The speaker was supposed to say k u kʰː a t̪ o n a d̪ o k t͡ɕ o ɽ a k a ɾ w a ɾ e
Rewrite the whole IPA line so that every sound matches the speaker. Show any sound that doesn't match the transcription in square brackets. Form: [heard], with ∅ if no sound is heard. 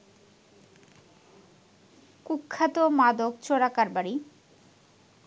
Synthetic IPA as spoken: k u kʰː a t̪ o [m] a d̪ o k t͡ɕ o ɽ a k a ɾ [b] a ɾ [i]